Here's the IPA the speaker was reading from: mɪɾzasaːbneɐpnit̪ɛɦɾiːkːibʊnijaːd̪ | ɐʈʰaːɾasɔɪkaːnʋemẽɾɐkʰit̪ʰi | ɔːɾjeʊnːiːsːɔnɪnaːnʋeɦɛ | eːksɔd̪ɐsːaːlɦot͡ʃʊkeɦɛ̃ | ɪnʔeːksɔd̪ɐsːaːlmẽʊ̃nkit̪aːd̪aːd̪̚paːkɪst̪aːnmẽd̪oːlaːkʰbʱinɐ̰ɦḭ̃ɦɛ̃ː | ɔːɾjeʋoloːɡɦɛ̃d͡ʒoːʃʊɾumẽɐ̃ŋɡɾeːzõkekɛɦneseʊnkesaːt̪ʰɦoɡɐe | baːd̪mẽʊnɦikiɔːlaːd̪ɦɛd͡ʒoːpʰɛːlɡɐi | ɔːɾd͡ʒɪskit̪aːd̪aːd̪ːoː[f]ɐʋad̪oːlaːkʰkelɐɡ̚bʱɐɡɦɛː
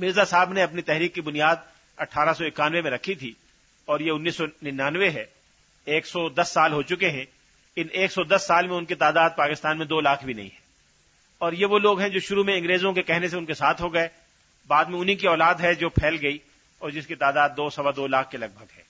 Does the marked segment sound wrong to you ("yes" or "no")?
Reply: yes